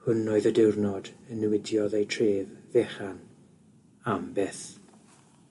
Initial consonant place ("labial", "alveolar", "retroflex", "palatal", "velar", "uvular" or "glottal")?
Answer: glottal